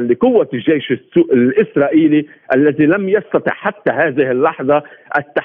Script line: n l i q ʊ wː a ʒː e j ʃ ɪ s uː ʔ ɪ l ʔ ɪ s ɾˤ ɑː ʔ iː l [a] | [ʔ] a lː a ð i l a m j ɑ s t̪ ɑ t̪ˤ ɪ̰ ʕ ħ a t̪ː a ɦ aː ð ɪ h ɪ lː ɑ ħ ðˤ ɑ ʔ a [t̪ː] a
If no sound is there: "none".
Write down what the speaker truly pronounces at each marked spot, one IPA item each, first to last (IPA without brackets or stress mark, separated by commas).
i, ʔ, t̪ː